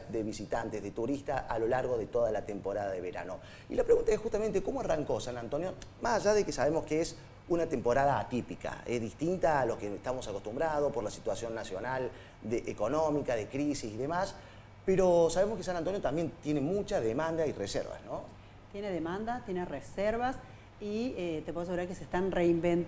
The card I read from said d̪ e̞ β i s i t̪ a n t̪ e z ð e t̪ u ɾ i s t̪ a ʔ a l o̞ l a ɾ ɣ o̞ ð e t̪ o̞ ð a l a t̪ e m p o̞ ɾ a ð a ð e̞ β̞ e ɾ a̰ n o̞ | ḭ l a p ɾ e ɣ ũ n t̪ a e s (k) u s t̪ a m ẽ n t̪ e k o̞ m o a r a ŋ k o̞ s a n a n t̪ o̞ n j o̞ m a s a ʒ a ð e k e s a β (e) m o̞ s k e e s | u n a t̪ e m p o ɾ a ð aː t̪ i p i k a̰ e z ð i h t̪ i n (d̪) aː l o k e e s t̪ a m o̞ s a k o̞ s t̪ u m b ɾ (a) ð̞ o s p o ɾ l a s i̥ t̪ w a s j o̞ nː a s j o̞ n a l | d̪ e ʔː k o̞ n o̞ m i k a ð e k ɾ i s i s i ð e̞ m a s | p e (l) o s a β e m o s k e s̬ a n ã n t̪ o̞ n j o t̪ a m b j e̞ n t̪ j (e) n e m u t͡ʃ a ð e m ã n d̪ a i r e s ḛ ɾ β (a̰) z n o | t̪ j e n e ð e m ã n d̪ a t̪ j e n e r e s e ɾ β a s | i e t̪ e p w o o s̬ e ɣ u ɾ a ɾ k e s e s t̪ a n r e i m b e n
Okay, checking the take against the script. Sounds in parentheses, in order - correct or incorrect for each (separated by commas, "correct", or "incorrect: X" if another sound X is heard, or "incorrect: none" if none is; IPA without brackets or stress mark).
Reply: incorrect: x, correct, incorrect: t̪, correct, incorrect: ɾ, correct, correct